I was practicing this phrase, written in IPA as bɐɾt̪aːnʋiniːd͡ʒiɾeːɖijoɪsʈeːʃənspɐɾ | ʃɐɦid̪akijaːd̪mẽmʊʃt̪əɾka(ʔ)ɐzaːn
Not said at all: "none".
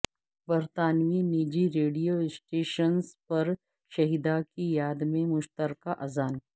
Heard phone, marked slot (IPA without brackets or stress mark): ʔ